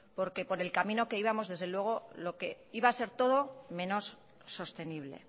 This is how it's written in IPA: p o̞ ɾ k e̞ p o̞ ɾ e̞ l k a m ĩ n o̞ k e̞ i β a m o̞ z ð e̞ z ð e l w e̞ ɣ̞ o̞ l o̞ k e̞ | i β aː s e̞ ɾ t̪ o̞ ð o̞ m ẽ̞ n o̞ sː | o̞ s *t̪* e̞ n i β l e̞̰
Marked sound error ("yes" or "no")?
no